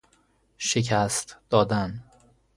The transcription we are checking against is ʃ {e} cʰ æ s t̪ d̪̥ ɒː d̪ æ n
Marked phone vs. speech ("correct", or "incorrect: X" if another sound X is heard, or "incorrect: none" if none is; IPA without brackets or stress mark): correct